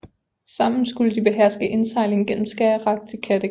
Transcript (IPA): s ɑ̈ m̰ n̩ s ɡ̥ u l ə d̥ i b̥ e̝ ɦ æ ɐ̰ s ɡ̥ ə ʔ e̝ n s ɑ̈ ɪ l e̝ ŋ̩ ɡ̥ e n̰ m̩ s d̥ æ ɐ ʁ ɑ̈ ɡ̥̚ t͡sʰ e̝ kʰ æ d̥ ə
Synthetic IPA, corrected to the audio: s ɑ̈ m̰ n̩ s ɡ̥ u l ə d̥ i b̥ e̝ ɦ æ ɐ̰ s ɡ̥ ə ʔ e̝ n s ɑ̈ ɪ l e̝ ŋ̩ ɡ̥ e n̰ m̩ s ɡ̥ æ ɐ ʁ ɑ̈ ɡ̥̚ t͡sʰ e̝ kʰ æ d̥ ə